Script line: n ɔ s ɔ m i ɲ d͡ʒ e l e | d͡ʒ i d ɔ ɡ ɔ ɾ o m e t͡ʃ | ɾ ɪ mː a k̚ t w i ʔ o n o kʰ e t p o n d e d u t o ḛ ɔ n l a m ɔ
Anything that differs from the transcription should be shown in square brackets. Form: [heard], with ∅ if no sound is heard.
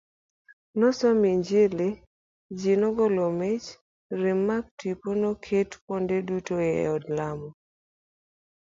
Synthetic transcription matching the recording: n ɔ s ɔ m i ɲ d͡ʒ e l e | d͡ʒ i [n] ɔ ɡ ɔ [l] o m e t͡ʃ | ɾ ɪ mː a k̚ t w i [p] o n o kʰ e t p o n d e d u t o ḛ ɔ [d] l a m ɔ